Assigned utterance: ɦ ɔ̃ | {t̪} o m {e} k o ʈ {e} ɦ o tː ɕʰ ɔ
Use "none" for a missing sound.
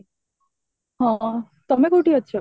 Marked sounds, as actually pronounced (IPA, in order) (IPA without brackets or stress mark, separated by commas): t̪, e, i